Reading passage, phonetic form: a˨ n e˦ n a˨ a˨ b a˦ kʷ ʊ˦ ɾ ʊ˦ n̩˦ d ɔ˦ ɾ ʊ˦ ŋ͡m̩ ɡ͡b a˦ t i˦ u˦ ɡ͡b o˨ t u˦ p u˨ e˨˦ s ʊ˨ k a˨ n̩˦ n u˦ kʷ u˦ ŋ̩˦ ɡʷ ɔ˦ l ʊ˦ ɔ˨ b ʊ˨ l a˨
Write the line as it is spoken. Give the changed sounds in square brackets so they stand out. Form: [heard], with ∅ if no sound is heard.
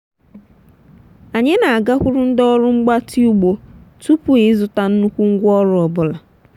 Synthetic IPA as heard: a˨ [ɲ] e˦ n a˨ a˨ [ɡ] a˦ kʷ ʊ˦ ɾ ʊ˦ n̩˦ d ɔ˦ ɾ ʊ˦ ŋ͡m̩ ɡ͡b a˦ t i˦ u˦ ɡ͡b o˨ t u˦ p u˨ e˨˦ [z] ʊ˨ [t] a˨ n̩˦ n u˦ kʷ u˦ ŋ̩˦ ɡʷ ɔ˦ [ɾ] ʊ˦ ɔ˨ b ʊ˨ l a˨